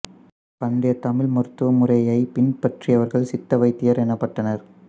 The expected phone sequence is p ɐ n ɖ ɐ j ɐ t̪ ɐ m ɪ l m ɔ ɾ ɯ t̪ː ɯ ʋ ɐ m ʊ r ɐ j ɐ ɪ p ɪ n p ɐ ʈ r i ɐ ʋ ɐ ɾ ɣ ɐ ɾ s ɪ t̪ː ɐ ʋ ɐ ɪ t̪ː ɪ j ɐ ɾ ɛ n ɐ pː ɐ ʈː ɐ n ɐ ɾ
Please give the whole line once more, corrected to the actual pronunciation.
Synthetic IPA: p ɐ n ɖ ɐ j ɐ t̪ ɐ m ɪ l m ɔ ɾ ɯ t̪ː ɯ ʋ ɐ m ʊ r ɐ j ɐ ɪ p ɪ n p ɐ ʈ r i ɐ ʋ ɐ ɾ ɣ ɐ ɭ s ɪ t̪ː ɐ ʋ ɐ ɪ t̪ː ɪ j ɐ ɾ ɛ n ɐ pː ɐ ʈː ɐ n ɐ ɾ